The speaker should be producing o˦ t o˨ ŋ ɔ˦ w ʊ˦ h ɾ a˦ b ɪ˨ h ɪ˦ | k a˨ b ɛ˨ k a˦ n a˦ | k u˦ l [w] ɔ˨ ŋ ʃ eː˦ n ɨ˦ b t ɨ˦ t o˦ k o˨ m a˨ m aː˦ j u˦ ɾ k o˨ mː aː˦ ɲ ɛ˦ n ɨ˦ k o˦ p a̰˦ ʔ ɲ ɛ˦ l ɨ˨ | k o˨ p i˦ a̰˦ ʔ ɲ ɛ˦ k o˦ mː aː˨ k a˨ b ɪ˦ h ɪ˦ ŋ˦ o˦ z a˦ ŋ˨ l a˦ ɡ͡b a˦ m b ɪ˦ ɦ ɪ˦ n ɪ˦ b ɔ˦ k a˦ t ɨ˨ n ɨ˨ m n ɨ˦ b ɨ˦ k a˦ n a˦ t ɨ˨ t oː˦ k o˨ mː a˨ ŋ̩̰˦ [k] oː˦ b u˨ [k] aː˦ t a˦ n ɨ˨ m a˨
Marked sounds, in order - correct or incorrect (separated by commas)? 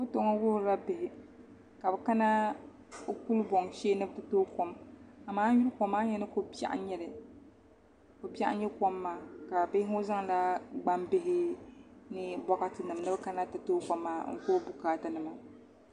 incorrect, correct, correct